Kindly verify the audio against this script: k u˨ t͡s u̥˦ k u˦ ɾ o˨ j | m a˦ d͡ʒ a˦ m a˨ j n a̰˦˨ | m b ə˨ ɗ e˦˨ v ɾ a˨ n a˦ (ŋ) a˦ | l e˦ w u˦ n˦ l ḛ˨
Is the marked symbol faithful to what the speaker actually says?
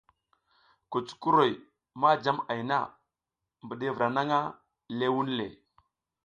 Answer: yes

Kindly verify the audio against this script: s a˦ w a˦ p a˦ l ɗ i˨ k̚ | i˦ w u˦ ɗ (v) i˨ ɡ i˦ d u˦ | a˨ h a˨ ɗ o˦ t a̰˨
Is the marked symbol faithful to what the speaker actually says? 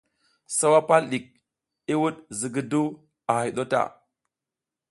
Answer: no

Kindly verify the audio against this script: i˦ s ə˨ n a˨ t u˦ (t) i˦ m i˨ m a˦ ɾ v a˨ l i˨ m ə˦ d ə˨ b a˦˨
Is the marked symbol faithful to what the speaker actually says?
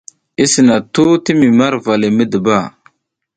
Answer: yes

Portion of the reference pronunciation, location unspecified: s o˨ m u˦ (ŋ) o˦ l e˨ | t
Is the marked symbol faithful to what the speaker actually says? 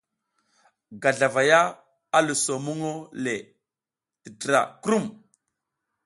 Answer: yes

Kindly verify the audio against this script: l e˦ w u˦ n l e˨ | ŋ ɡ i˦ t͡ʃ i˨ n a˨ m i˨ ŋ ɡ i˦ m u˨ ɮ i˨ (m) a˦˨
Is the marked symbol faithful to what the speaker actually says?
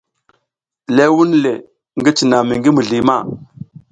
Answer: yes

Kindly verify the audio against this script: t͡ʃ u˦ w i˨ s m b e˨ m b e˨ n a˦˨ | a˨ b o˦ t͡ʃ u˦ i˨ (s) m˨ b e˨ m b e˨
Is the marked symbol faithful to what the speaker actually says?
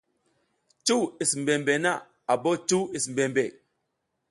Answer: yes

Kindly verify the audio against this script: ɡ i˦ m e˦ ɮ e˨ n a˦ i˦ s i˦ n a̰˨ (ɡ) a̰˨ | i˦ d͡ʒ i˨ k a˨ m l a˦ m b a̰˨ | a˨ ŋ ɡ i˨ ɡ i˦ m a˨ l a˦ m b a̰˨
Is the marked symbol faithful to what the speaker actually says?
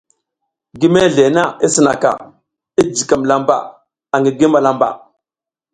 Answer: no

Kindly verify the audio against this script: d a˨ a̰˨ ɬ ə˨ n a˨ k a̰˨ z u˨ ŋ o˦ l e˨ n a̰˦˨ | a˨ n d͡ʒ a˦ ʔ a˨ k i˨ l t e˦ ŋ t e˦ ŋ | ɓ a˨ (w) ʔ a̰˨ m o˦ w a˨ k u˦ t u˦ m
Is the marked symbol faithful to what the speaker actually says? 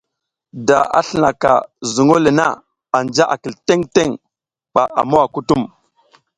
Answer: no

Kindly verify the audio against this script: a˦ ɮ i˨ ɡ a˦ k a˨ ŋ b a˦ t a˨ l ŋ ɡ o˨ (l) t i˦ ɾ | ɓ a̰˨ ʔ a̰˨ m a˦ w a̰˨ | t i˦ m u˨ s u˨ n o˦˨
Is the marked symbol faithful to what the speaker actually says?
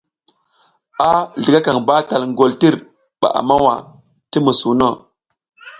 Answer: yes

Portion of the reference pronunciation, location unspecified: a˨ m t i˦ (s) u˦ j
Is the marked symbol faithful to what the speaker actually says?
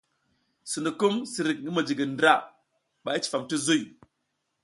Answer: no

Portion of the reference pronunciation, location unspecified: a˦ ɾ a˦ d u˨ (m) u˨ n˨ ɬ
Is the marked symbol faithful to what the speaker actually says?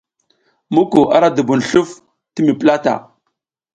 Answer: no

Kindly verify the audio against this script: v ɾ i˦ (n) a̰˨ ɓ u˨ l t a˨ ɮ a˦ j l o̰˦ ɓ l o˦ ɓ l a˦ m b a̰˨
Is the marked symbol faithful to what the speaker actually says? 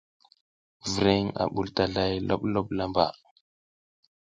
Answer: no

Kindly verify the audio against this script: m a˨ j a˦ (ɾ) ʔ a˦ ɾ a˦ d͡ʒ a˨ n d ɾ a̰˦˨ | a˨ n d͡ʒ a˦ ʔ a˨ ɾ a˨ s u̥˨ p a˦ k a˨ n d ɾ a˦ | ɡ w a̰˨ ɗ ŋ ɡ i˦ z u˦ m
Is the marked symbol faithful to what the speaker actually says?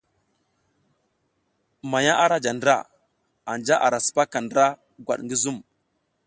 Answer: no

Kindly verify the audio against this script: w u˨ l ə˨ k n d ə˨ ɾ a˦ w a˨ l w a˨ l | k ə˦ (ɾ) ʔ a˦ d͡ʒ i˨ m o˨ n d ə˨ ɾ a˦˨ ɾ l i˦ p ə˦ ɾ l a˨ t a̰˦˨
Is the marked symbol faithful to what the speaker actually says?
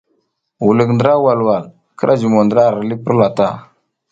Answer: yes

